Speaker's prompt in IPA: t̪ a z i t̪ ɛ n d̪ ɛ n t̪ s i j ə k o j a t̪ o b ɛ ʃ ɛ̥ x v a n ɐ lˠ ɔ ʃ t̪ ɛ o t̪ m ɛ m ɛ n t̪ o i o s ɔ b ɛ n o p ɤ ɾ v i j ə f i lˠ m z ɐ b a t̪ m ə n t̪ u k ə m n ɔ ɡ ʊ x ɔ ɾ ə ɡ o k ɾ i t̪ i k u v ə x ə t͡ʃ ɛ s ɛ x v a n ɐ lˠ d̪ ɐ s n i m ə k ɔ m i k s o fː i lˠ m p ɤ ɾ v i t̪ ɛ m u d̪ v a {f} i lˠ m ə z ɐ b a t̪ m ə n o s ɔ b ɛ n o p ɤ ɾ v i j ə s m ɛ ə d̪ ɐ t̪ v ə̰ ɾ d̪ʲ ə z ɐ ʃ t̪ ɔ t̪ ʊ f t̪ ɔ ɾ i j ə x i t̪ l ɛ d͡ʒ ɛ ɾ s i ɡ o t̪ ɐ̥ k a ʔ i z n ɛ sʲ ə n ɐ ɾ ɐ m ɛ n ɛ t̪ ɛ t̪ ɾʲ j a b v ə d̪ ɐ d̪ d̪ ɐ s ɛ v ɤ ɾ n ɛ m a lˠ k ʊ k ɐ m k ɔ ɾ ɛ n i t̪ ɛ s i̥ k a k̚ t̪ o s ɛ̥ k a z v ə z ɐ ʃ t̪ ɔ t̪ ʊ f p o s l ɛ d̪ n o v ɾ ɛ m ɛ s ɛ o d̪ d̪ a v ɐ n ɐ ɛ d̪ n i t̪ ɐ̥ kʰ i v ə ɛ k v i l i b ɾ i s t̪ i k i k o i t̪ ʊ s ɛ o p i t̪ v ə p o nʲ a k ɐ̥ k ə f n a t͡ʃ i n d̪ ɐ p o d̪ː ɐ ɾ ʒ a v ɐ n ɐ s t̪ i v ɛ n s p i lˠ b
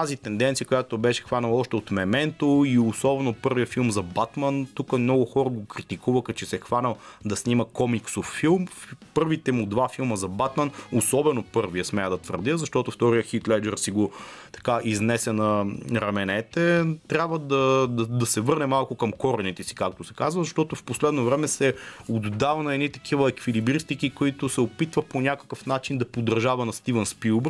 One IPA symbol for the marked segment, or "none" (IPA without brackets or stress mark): f